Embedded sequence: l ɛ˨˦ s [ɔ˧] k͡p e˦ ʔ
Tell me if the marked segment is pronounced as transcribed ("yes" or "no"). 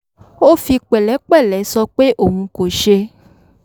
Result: yes